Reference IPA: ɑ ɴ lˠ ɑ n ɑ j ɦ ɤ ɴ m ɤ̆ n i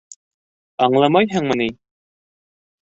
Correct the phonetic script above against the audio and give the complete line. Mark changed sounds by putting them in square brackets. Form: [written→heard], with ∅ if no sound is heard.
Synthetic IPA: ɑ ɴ lˠ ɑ [n→m] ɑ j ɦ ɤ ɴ m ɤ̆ n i